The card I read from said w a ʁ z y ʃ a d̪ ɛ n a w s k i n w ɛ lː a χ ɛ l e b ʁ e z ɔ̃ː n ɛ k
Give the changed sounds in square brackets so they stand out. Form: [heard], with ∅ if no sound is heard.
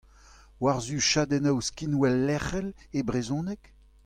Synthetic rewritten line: w a ʁ z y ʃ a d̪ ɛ n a w s k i n w ɛ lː [ɛ] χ ɛ l e b ʁ e z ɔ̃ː n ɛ k